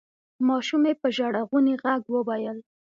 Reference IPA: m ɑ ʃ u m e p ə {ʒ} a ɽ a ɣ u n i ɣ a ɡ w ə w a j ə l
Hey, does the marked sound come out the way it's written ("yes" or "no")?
yes